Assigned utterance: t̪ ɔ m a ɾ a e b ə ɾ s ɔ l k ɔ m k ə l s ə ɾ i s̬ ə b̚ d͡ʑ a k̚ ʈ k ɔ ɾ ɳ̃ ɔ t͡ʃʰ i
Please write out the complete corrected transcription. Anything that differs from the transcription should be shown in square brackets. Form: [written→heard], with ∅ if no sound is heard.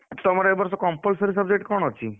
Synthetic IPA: t̪ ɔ m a ɾ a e b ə ɾ s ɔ [l→∅] k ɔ m [k→p] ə l s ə ɾ i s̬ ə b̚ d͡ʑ [a→e] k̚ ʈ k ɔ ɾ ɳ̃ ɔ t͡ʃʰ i